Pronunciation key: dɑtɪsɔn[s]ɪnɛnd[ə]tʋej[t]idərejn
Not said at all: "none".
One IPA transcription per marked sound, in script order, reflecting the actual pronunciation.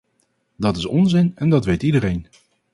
z, ɑ, t

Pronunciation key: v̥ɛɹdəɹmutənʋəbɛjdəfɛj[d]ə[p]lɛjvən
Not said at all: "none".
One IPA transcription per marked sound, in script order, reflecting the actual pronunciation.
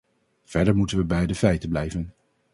t, b

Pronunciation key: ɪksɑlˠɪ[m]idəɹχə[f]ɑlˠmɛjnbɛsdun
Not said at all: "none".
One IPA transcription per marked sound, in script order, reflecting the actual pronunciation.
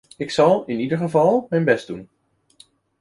n, v

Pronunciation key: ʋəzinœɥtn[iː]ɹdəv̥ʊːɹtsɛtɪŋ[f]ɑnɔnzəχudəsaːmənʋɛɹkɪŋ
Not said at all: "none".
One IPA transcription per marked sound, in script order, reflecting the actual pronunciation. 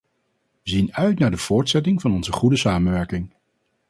aː, v

